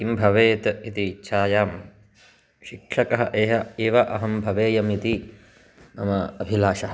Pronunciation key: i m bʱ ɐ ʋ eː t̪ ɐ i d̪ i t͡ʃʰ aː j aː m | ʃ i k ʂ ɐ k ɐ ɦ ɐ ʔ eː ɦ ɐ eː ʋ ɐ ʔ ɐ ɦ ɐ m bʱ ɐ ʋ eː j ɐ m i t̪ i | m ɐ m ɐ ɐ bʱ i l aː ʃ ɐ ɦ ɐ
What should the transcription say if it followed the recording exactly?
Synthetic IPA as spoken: i m bʱ ɐ ʋ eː t̪ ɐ i t̪ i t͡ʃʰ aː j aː m | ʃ i k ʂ ɐ k ɐ ɦ ɐ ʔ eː ɦ ɐ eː ʋ ɐ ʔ ɐ ɦ ɐ m bʱ ɐ ʋ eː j ɐ m i t̪ i | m ɐ m ɐ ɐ bʱ i l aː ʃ ɐ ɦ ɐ